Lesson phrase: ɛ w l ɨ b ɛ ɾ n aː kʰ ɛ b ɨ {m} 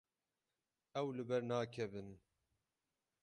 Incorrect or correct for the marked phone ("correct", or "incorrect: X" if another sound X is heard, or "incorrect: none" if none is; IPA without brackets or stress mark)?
incorrect: n